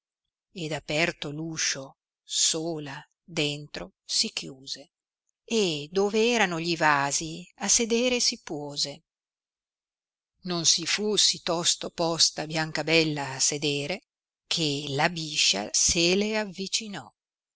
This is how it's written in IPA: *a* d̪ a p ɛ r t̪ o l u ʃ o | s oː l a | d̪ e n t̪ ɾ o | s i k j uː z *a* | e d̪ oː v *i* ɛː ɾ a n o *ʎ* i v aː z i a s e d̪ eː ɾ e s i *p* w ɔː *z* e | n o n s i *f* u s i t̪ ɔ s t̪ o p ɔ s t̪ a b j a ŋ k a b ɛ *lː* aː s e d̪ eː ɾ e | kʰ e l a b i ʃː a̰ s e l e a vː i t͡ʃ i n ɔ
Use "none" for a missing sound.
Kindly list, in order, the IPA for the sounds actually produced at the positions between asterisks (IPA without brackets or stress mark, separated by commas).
e, e, e, ʎ, p, z, f, lː